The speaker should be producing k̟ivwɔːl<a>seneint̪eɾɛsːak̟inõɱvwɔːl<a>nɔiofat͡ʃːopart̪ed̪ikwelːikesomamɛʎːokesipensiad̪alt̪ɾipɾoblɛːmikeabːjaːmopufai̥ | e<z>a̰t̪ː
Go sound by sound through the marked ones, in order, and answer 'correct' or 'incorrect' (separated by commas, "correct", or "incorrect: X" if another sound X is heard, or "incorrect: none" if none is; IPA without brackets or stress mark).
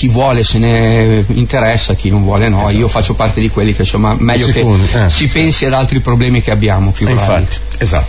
incorrect: e, incorrect: e, correct